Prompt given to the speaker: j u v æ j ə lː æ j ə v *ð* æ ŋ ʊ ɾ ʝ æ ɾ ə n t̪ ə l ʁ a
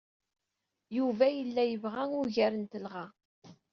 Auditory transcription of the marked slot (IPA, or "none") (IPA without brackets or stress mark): ʁ